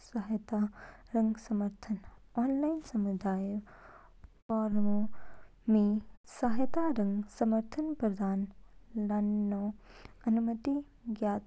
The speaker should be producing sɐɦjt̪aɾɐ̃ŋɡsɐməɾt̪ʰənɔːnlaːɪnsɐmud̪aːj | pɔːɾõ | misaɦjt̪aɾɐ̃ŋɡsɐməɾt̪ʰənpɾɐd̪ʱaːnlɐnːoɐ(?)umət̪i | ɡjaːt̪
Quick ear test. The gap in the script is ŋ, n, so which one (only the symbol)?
n